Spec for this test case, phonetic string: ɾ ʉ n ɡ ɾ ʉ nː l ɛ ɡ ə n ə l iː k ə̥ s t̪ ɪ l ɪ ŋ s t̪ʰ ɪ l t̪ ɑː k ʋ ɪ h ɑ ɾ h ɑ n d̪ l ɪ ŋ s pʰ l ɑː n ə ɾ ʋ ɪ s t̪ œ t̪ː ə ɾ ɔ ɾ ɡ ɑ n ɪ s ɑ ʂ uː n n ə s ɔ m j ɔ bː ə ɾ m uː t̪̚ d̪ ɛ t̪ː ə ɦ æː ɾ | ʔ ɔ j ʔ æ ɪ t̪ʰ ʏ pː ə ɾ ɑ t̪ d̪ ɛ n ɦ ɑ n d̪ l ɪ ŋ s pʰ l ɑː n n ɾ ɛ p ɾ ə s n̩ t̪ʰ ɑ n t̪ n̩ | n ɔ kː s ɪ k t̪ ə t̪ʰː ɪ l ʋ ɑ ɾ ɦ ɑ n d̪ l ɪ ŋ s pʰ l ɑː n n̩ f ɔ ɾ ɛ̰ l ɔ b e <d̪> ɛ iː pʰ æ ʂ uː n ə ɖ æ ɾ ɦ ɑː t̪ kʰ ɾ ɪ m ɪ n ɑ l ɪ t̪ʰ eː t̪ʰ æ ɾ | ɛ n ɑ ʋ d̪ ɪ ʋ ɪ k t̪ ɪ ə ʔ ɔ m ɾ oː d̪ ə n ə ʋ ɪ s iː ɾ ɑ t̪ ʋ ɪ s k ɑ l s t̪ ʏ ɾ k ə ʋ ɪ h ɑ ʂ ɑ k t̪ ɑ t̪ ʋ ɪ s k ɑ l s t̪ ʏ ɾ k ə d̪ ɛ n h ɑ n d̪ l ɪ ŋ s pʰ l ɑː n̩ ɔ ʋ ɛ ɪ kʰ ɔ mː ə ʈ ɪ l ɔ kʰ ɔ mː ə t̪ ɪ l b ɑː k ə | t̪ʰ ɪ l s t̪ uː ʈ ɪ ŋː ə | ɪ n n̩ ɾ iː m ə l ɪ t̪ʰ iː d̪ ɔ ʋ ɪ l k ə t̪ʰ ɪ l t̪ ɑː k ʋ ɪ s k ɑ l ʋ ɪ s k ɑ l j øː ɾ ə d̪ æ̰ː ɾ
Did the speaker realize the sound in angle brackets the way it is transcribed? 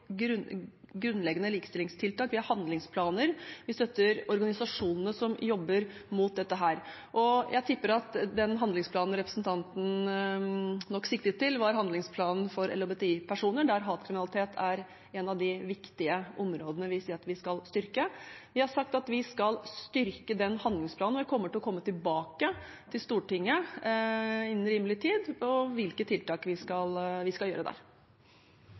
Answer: no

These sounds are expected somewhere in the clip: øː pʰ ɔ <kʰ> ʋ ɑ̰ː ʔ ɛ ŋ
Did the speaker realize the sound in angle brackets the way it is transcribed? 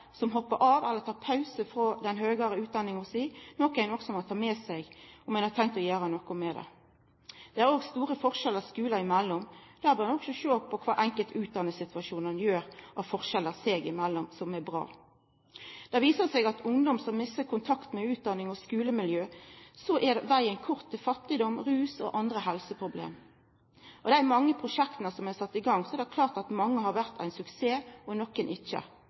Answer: yes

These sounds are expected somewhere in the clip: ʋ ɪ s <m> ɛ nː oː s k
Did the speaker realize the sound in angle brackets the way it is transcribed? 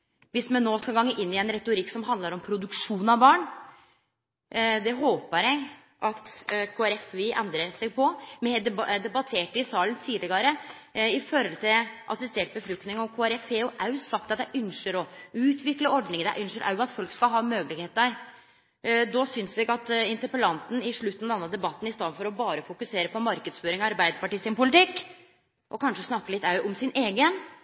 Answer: yes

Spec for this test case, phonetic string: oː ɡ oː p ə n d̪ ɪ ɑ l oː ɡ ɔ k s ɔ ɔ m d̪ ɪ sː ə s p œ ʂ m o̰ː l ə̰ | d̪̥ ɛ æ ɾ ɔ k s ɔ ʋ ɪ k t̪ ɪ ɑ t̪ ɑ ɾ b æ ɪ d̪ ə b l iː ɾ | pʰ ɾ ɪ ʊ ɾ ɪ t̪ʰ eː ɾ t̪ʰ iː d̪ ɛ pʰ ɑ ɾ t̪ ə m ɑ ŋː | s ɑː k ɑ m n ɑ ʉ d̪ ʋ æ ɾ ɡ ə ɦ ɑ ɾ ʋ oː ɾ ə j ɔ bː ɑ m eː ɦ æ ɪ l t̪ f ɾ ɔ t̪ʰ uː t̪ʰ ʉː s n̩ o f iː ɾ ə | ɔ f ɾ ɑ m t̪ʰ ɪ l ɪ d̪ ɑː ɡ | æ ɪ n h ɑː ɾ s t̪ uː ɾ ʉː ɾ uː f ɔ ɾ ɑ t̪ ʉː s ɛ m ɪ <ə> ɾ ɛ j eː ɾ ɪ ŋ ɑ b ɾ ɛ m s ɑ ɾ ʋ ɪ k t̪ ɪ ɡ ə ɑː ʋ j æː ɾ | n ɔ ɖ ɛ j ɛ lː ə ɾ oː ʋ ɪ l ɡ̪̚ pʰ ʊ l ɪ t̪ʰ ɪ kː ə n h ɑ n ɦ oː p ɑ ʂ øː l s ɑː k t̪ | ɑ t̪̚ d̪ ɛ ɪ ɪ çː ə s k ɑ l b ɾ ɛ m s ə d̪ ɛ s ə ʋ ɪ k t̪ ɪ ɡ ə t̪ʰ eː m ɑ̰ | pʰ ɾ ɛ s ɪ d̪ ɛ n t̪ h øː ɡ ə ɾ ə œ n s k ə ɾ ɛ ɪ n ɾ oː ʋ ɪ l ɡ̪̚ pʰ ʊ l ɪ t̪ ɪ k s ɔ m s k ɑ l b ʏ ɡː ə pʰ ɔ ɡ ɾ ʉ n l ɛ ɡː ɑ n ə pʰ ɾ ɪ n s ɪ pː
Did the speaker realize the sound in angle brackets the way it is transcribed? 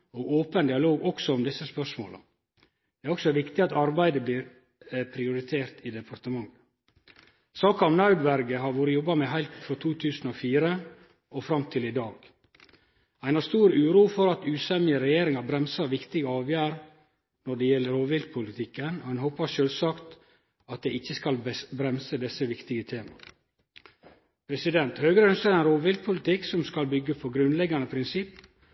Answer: yes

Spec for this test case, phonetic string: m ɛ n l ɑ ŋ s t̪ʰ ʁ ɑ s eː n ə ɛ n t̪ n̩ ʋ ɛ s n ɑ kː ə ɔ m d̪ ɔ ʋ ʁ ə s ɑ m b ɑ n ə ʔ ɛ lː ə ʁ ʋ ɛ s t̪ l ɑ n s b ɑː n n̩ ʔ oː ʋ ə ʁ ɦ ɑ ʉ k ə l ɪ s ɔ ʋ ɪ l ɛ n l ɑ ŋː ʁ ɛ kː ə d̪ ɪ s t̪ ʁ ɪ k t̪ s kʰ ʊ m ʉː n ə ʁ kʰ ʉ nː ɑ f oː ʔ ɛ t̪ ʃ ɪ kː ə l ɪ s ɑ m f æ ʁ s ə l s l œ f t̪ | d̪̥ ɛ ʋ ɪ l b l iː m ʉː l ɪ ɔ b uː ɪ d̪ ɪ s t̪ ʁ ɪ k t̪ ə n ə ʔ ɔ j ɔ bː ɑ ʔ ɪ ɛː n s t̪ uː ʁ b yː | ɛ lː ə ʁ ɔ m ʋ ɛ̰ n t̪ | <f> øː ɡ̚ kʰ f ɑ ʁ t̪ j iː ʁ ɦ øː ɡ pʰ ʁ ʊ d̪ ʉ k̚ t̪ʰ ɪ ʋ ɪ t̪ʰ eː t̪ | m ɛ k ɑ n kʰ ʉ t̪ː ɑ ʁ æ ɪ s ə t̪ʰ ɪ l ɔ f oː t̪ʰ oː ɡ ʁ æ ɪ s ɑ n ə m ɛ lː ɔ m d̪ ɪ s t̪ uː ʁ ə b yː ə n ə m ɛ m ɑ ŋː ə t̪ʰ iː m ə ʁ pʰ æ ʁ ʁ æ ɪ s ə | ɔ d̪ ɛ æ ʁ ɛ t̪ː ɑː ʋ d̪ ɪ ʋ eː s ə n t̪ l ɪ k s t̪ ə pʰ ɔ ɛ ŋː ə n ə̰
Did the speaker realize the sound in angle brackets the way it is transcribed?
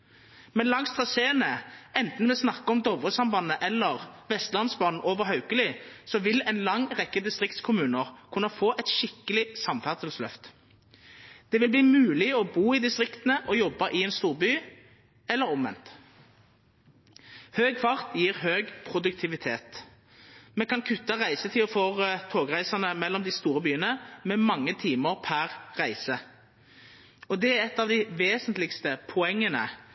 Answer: no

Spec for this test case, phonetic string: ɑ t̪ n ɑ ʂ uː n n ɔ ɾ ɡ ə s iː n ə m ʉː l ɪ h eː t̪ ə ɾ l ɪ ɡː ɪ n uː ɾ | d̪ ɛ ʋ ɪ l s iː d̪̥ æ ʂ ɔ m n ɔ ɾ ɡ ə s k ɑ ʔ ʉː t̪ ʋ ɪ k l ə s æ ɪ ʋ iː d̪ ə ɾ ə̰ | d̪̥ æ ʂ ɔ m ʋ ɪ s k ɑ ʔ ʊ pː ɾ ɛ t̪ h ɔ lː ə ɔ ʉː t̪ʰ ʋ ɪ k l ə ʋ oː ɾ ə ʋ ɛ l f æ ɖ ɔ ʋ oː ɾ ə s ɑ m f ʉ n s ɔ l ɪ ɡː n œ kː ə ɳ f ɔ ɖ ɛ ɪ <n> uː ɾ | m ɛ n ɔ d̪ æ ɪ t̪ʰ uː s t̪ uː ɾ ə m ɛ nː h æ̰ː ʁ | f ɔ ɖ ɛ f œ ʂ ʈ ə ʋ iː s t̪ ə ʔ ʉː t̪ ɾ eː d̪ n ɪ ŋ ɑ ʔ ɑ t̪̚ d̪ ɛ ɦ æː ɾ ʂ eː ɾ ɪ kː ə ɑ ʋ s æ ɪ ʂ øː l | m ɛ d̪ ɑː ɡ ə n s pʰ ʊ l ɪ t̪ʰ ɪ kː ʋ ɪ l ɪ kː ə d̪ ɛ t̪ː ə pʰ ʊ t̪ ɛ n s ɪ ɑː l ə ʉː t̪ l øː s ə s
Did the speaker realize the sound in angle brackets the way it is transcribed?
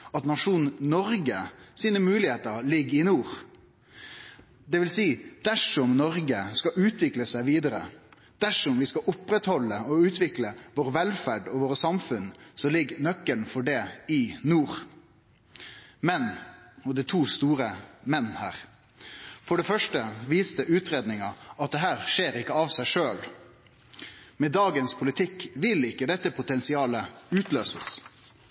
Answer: yes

